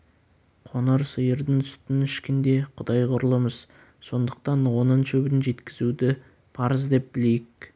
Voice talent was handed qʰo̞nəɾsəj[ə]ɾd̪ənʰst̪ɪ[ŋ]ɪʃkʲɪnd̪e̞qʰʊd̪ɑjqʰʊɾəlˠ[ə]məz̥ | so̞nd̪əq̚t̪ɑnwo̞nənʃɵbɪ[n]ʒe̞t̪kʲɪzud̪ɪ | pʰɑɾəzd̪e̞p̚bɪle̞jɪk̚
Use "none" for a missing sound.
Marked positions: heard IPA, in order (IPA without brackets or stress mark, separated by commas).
ə, n, ə, n